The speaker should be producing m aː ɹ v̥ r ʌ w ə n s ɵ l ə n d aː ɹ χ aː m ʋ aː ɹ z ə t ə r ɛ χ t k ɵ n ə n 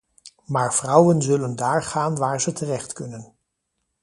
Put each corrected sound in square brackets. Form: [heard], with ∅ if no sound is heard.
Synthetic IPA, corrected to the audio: m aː ɹ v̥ r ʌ w ə n [z] ɵ l ə n d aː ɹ χ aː [n] ʋ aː ɹ z ə t ə r ɛ χ t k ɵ n ə n